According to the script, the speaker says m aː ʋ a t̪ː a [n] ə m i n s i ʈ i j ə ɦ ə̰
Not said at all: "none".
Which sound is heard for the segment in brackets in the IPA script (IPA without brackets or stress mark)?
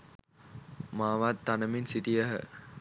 n